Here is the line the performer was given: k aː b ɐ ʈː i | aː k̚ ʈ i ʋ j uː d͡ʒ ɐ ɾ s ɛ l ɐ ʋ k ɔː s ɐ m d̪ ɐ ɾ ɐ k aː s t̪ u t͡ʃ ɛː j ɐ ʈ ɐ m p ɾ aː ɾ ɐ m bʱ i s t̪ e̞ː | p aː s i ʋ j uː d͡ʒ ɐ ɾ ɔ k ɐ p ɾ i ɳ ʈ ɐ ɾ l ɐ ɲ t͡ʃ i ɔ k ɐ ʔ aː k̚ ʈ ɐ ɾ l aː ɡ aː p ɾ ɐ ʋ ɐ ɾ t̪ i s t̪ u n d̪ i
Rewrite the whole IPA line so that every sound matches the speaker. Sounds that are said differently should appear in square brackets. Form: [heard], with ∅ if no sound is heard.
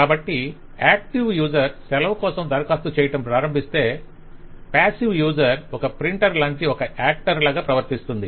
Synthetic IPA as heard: k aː b ɐ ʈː i | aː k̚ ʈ i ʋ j uː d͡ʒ ɐ ɾ s ɛ l ɐ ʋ k ɔː s ɐ m d̪ ɐ ɾ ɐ k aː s t̪ u t͡ʃ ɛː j ɐ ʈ ɐ m p ɾ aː ɾ ɐ m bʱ i s t̪ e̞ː | p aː s i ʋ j uː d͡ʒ ɐ ɾ ɔ k ɐ p ɾ i ɳ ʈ ɐ ɾ l ɐ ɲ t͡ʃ i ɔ k ɐ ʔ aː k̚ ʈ ɐ ɾ l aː ɡ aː p ɾ ɐ ʋ ɐ ɾ t̪ i s t̪ u n d̪ i